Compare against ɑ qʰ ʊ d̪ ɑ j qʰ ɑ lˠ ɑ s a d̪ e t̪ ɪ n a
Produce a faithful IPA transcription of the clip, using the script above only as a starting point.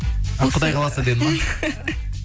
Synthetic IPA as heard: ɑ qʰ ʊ d̪ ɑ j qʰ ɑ lˠ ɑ s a d̪ e d̪ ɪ m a